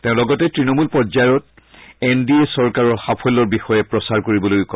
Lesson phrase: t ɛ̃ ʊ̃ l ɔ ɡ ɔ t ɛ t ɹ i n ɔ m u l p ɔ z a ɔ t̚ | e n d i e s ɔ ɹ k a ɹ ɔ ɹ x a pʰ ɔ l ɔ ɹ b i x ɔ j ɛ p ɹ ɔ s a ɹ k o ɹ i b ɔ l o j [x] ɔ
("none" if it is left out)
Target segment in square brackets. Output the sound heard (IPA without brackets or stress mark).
k